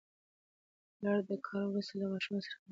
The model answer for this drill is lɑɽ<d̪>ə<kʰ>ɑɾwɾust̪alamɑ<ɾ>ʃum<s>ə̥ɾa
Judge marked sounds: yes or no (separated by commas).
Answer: yes, yes, no, yes